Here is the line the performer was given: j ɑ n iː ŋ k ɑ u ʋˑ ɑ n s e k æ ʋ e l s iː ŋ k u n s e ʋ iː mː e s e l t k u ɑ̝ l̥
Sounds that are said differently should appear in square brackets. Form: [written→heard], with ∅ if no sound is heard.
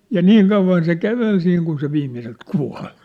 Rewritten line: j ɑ n iː ŋ k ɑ u ʋˑ ɑ n s e k æ ʋ e l s iː ŋ k u n s e ʋ iː mː [e→i] s e l t k u ɑ̝ l̥